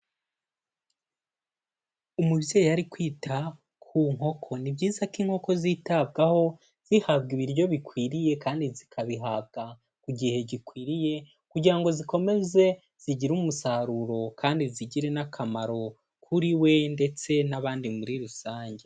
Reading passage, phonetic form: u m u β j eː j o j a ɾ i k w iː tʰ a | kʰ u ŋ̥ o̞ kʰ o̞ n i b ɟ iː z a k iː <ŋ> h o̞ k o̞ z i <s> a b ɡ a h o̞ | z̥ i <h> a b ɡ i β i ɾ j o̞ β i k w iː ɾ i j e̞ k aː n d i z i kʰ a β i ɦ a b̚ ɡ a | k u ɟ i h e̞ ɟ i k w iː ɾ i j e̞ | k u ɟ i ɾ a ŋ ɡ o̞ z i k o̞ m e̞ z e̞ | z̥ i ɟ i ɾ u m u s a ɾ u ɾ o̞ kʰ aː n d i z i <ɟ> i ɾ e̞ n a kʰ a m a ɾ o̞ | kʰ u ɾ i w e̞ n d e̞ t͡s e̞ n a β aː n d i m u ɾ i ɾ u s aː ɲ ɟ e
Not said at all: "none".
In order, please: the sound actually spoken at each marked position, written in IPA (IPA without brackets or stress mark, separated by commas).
ŋ, t, h, ɟ